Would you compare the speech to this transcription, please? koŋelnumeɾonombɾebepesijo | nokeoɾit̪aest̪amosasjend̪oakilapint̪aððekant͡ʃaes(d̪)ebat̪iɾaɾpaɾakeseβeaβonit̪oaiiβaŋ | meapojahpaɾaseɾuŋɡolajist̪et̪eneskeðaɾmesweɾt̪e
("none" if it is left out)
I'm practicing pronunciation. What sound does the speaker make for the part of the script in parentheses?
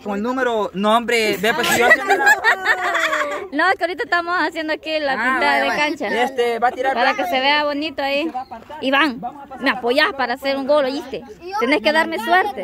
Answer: t̪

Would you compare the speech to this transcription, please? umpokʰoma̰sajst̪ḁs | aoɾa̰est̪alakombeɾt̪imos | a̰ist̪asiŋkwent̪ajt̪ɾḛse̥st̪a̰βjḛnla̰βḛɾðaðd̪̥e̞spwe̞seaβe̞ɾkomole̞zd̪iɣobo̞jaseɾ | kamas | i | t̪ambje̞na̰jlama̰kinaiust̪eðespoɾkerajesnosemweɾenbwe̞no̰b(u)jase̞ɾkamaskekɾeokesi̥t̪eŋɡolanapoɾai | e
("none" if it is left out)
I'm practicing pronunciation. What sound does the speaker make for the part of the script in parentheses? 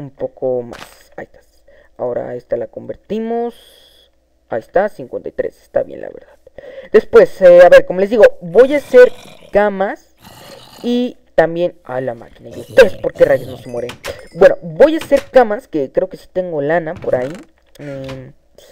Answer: o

